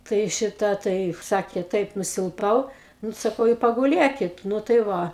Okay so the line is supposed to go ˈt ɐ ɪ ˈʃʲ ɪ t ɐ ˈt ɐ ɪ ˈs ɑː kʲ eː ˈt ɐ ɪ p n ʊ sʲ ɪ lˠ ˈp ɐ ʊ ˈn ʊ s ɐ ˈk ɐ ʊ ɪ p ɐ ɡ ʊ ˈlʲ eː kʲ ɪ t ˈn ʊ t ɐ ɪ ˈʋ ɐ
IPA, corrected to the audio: ˈt ɐ ɪ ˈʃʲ ɪ t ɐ ˈt ɐ ɪ ˈs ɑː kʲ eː ˈt ɐ ɪ p n ʊ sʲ ɪ lˠ ˈp ɐ ʊ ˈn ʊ s ɐ ˈk ɐ ʊ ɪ p ɐ ɡ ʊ ˈlʲ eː kʲ ɪ t ˈn ʊ t ɐ ɪ ˈʋ ɐ